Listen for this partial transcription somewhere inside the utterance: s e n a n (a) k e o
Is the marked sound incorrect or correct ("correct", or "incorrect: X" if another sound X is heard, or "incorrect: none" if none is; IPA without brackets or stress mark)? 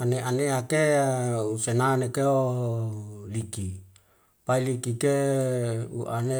incorrect: e